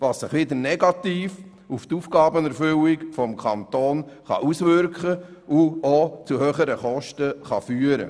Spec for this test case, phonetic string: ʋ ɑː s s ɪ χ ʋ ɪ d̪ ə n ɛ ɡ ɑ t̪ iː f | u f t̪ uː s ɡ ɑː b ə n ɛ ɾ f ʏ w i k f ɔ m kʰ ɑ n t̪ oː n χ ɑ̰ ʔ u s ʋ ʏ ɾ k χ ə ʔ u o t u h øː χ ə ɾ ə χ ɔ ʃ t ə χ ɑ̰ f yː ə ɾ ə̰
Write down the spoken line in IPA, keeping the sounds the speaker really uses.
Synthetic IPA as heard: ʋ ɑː s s ɪ χ ʋ ɪ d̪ ə n ɛ ɡ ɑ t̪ iː f | u f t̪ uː f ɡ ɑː b ə n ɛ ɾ f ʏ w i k f ɔ m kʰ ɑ n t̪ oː n χ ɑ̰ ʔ u s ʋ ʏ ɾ k χ ə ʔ u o t͡s u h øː χ ə ɾ ə χ ɔ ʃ t ə χ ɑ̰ f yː ə ɾ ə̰